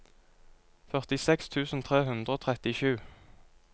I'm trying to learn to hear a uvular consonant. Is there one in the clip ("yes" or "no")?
yes